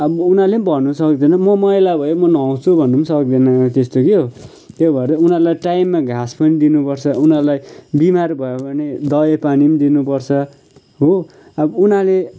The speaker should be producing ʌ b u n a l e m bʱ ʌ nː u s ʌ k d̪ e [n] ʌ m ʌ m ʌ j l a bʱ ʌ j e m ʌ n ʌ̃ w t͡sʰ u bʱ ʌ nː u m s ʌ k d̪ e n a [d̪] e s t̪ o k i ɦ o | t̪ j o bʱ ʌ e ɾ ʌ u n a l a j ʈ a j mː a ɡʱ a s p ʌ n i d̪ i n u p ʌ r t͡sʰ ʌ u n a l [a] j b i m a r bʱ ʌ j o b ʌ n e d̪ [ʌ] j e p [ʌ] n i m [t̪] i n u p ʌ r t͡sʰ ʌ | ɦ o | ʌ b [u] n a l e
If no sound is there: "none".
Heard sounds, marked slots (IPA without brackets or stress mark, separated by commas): n, t̪, a, ʌ, a, d̪, u